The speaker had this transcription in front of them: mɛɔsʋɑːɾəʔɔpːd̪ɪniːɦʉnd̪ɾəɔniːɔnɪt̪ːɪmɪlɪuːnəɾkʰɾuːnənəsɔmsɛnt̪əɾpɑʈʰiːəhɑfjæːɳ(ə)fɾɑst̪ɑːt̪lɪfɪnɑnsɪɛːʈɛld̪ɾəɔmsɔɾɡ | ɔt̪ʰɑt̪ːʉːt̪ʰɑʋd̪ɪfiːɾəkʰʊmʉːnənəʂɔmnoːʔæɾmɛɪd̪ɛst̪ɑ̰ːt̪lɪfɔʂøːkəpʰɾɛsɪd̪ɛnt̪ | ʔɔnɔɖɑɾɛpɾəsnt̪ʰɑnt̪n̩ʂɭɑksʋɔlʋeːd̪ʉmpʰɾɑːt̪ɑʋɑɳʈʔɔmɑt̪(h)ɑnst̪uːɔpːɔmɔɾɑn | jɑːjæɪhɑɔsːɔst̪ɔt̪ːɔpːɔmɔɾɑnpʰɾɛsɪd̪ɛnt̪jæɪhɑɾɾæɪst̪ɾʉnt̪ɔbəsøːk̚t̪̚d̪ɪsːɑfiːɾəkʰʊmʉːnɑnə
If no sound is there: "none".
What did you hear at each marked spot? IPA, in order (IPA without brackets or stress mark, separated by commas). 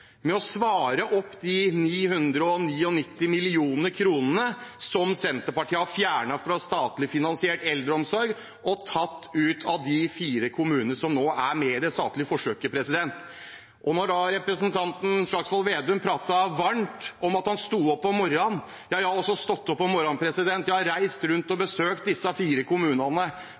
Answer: ɑ, h